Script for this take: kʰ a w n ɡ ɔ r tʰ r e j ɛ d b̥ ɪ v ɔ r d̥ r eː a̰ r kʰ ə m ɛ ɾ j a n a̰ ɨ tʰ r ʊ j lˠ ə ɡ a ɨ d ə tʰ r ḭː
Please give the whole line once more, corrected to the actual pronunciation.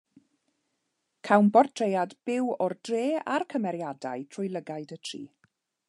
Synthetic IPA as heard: kʰ a w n b ɔ r tʰ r e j a d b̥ ɪ w ɔ r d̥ r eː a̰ r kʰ ə m ɛ ɾ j a d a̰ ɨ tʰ r ʊ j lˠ ə ɡ a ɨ d ə tʰ r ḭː